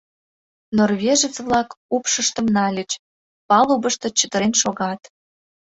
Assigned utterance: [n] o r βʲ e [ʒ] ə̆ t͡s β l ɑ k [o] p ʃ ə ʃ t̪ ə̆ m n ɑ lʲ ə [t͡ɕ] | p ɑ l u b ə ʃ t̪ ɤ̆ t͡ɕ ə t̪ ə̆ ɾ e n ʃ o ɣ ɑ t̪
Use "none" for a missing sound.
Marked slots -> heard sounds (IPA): n, ʒ, u, t͡ɕ

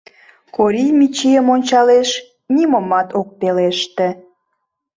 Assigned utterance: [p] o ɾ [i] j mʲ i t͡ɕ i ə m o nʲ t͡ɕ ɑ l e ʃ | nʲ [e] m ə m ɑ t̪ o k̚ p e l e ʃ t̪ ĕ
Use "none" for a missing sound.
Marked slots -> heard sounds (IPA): k, i, i

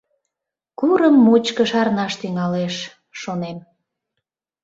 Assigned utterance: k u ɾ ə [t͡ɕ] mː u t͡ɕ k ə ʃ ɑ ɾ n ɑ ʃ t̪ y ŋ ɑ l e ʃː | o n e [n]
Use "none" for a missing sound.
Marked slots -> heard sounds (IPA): none, m

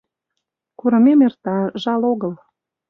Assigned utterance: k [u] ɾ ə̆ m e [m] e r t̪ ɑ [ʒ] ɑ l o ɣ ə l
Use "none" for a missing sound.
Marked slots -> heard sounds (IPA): u, m, ʒ

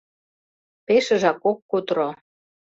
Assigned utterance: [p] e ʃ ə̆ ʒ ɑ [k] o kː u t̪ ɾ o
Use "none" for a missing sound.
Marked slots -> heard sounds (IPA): p, k

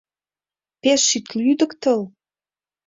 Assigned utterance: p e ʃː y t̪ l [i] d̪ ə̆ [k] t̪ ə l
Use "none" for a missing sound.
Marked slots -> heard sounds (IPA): y, k

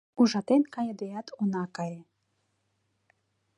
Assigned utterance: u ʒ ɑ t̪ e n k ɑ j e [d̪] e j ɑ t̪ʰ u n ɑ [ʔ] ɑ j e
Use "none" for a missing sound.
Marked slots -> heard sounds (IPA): d̪, k

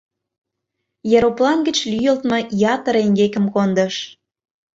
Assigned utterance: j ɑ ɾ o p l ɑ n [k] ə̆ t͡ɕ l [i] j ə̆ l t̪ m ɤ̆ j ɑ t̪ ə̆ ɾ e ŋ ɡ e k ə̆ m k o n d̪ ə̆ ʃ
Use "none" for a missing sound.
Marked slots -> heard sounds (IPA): ɡ, y

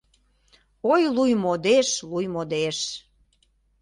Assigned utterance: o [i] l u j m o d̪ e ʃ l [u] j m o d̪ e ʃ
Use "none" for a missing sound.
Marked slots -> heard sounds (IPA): j, u

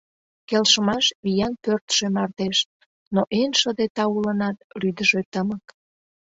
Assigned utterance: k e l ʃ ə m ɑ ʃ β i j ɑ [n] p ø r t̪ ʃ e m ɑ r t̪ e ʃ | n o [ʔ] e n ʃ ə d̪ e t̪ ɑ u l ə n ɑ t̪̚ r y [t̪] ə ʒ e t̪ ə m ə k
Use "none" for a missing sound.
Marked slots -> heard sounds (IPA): n, ʔ, d̪

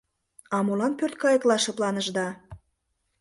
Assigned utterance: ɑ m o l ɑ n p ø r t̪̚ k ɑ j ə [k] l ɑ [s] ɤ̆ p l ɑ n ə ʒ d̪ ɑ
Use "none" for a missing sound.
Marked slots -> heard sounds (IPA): k, ʃ

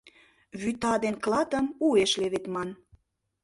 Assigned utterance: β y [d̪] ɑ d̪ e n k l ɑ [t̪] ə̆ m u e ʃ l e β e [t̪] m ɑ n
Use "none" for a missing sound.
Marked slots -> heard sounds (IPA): t̪, t̪, t̪

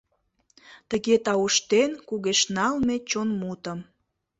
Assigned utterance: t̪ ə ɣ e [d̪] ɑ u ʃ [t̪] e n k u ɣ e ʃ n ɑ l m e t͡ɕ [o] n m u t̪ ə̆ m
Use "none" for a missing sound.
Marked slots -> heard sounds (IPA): t̪, t̪, o

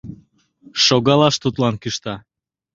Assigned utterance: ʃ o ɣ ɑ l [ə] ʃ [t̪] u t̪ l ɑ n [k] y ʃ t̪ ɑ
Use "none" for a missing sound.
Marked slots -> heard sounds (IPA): ɑ, t̪, k

